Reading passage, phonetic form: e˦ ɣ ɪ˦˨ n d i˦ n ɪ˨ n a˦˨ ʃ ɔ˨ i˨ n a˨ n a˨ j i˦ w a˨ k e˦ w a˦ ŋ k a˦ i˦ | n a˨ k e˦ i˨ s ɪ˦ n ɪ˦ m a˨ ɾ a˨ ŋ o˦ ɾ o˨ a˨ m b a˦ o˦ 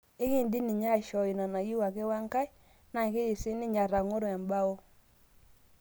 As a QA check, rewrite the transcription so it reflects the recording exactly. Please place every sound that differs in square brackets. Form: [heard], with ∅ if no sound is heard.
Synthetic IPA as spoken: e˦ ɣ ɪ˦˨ n d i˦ n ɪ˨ [ɲ] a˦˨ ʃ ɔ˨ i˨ n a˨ n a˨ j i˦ w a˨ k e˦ w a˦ ŋ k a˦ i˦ | n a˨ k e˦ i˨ s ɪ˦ n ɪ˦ [ɲ] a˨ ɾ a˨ ŋ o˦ ɾ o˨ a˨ m b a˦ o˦